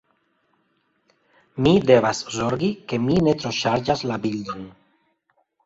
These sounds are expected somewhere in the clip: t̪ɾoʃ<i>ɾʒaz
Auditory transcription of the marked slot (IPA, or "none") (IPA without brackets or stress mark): a